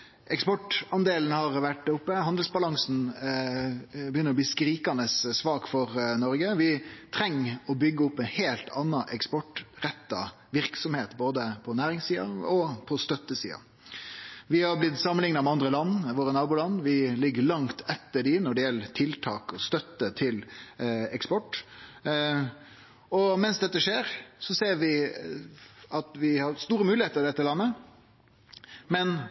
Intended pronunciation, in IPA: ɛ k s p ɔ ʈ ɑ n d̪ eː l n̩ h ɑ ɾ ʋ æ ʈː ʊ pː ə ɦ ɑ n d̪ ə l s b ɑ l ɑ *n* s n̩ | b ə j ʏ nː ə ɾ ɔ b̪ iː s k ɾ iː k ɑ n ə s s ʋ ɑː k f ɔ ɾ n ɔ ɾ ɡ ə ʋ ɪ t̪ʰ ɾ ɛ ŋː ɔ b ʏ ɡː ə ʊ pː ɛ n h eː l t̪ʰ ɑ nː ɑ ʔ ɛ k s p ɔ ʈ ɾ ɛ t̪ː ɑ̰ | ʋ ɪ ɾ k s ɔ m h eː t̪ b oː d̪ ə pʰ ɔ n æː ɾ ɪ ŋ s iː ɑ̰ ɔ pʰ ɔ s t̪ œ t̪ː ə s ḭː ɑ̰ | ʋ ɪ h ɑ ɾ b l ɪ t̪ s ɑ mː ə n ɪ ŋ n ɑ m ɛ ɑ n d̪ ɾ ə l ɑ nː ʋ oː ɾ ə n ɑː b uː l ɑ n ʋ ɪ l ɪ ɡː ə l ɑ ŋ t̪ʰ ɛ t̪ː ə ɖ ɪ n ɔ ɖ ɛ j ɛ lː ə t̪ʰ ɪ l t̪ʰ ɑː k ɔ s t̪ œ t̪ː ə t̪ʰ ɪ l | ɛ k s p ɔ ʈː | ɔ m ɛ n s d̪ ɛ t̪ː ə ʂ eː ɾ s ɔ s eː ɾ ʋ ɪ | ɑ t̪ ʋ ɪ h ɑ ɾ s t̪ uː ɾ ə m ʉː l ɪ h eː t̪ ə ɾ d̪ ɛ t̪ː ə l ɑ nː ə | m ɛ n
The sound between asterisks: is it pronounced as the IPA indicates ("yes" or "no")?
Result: no